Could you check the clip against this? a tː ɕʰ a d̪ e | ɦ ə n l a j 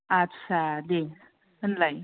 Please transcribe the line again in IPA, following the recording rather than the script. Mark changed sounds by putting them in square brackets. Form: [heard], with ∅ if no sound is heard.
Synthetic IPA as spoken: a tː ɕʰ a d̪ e | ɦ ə n l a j